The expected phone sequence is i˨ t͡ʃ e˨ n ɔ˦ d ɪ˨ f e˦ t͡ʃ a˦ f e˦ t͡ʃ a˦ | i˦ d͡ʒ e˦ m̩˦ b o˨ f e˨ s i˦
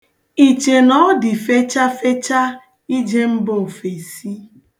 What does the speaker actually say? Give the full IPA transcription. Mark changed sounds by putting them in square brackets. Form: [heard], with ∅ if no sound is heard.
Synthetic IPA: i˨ t͡ʃ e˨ n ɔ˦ d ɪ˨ f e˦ t͡ʃ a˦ f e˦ t͡ʃ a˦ | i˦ d͡ʒ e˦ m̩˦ b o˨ f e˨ s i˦